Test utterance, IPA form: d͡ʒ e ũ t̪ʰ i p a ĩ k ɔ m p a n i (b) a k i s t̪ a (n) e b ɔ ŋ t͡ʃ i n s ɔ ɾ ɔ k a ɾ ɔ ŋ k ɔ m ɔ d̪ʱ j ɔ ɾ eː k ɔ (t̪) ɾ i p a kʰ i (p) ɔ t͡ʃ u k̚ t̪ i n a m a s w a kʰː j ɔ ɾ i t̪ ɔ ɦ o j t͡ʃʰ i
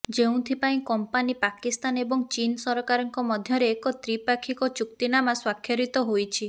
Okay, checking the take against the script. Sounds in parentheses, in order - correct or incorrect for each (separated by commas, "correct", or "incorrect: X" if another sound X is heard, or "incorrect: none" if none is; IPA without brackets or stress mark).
incorrect: p, correct, correct, incorrect: k